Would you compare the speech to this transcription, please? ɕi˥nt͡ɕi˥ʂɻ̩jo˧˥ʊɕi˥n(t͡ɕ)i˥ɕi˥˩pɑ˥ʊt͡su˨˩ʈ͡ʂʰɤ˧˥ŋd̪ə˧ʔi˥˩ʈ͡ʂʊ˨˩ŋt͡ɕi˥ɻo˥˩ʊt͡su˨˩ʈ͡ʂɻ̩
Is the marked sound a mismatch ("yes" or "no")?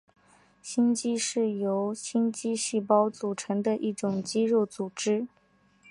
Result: no